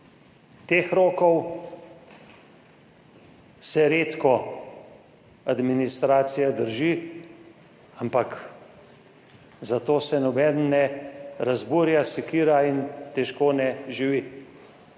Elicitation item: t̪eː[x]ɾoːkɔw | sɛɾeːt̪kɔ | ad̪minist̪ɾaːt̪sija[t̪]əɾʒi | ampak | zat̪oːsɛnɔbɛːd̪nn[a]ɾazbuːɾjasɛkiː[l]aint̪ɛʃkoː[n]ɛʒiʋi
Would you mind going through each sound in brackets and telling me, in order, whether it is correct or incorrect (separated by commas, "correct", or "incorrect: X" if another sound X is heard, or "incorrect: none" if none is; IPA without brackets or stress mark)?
correct, incorrect: d̪, incorrect: ɛ, incorrect: ɾ, correct